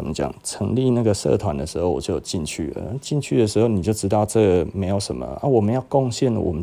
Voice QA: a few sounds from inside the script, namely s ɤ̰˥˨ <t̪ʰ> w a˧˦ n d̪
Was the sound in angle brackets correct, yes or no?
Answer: yes